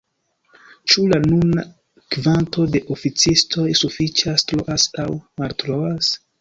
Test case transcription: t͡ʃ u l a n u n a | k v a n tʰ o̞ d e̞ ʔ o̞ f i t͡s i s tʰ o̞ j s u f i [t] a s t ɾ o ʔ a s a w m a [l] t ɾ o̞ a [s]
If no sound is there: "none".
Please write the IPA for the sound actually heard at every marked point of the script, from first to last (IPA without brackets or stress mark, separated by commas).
t͡ʃ, l, s